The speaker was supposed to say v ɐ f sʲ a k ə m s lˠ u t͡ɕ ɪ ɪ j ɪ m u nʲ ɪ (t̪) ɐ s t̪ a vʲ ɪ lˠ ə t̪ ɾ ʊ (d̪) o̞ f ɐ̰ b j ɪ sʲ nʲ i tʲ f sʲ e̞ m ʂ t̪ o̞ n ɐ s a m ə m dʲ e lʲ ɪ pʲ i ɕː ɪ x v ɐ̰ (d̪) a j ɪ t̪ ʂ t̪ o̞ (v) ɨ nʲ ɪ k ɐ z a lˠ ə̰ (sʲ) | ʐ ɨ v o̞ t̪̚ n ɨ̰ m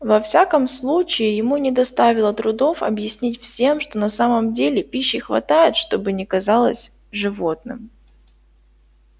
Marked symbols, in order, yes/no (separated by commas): no, yes, no, no, yes